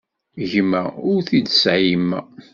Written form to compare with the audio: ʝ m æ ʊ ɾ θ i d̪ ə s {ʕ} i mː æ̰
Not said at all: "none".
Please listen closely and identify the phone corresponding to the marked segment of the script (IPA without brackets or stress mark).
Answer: ʕ